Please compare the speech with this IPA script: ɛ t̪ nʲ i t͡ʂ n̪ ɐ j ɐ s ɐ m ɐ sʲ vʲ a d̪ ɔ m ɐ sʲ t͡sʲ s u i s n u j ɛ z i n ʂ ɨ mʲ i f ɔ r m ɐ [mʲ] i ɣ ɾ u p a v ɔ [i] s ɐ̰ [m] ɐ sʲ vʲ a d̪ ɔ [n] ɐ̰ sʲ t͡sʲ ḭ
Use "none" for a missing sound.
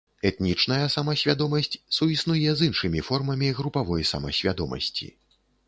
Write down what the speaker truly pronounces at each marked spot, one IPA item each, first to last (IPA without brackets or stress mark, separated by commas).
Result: mʲ, j, m, m